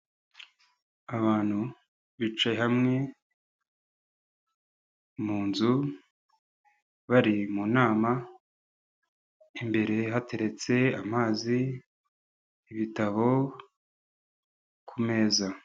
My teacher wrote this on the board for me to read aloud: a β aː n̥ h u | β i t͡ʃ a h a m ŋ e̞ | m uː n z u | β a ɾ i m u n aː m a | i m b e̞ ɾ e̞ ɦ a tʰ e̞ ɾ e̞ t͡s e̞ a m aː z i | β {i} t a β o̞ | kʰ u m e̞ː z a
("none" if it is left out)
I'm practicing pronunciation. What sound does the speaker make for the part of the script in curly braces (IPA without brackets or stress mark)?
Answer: i